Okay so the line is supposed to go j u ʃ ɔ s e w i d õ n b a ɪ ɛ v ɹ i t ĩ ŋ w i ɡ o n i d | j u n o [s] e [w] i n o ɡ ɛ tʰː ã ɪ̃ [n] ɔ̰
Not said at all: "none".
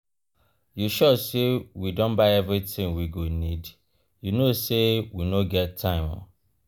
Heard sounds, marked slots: s, w, m

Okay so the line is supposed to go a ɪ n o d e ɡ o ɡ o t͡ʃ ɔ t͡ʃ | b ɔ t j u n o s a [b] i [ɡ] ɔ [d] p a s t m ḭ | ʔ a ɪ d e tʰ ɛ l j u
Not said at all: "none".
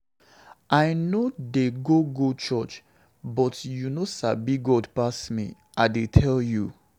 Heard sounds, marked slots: b, ɡ, d

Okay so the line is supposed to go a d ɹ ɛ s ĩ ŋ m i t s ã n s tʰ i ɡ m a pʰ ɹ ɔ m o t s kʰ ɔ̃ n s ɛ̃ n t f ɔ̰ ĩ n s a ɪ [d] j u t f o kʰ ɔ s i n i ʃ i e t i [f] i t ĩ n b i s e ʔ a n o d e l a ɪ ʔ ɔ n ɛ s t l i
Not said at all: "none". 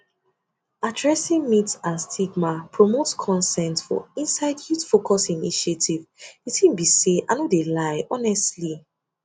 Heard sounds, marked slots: d, v

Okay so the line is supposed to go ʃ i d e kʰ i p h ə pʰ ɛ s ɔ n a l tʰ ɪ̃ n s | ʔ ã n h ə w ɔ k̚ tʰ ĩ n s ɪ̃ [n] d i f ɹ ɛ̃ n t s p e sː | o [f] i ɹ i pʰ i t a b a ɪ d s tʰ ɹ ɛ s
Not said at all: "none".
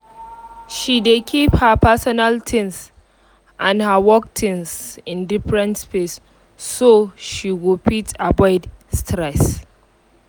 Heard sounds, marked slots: n, ʃ

